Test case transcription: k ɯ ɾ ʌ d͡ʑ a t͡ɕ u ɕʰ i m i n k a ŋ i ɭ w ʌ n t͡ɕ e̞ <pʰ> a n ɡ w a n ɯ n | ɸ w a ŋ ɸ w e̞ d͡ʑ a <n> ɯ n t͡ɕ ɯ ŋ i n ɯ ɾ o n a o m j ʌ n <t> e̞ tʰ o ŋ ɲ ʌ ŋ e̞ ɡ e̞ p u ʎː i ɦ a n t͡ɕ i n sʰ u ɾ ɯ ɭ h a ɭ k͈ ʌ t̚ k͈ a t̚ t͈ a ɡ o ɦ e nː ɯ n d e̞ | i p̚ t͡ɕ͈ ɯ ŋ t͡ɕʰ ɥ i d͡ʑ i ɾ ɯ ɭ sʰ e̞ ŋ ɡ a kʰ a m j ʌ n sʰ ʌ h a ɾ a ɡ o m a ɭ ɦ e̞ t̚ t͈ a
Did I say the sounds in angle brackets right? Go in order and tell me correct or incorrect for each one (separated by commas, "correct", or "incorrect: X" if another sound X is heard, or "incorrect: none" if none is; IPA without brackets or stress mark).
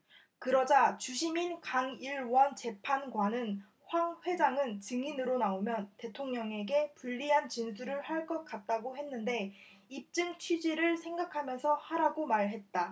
correct, incorrect: ŋ, correct